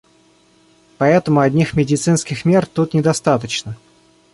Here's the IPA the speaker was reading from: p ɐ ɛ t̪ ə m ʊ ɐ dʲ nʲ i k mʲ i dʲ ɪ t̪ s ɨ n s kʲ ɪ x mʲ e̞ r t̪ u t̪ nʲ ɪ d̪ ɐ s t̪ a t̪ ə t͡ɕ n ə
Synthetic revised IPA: p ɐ ɛ t̪ ə m ʊ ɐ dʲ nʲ i x mʲ ɪ dʲ ɪ t̪ s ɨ n s kʲ ɪ x mʲ e̞ r t̪ u t̪ nʲ ɪ d̪ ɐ s t̪ a t̪ ə t͡ɕ n ə